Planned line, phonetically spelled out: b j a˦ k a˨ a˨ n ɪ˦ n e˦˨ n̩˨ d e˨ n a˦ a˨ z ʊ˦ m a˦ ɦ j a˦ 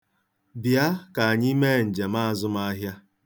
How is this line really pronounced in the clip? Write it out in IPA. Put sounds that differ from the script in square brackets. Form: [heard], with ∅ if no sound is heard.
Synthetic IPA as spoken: b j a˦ k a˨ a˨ [ɲ] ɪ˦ [m] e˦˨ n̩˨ [d͡ʒ] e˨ [m] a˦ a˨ z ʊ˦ m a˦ ɦ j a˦